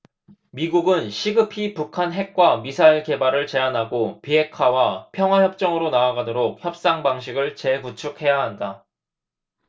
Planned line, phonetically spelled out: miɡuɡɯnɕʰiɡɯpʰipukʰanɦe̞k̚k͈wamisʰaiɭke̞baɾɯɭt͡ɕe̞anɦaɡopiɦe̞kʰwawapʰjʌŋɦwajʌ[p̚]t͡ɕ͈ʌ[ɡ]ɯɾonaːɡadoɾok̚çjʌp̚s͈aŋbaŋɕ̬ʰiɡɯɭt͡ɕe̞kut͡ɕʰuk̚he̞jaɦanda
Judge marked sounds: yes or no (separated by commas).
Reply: yes, no